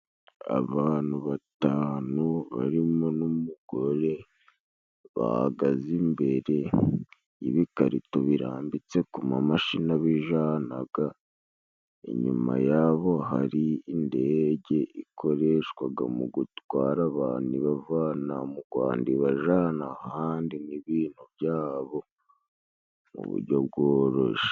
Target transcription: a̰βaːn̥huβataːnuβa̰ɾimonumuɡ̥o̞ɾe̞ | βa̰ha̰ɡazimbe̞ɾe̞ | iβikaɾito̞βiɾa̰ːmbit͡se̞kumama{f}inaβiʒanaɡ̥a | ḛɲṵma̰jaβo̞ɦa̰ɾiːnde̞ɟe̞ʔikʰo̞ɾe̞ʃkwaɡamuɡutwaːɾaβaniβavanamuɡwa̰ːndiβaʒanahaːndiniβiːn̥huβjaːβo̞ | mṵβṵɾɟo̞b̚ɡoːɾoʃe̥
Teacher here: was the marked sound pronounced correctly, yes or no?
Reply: no